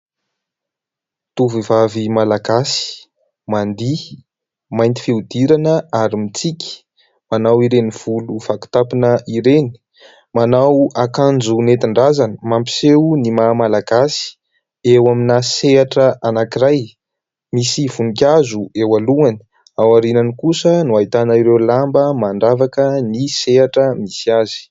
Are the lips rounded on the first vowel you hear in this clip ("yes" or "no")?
yes